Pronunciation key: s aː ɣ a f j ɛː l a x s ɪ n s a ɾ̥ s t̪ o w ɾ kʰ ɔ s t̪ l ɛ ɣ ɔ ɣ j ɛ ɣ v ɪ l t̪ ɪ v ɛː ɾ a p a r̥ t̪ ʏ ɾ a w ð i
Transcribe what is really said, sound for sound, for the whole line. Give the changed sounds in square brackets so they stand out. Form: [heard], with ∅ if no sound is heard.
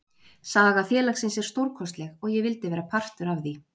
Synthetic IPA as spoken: s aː ɣ a f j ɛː l a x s ɪ n s [ɛ] ɾ̥ s t̪ o w ɾ kʰ ɔ s t̪ l ɛ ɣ ɔ ɣ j ɛ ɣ v ɪ l t̪ ɪ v ɛː ɾ a [pʰ] a r̥ t̪ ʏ ɾ a [v] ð i